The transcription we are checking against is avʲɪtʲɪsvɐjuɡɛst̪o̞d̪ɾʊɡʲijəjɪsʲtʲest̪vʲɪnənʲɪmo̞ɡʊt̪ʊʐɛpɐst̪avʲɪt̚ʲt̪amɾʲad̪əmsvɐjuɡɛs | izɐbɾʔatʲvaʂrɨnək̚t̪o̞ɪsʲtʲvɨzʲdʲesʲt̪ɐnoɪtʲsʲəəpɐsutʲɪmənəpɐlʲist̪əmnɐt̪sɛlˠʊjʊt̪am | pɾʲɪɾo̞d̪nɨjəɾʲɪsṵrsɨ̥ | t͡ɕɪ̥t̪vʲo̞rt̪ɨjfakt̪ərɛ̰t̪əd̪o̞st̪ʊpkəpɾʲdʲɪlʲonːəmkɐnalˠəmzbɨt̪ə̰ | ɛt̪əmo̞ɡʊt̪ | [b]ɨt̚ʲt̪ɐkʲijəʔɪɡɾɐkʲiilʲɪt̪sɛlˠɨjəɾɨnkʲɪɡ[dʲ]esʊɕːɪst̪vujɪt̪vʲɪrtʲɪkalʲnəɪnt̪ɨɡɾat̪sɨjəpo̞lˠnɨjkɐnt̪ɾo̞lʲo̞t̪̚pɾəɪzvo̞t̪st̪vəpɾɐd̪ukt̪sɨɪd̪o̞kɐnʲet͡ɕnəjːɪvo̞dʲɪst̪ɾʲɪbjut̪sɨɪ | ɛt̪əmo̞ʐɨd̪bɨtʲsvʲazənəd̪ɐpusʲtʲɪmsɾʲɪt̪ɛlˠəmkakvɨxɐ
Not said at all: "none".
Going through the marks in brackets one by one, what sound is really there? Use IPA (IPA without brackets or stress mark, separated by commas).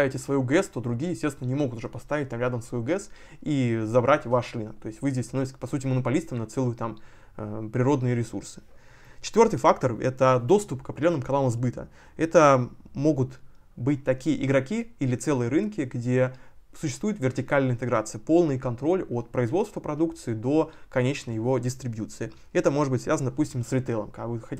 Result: b, dʲ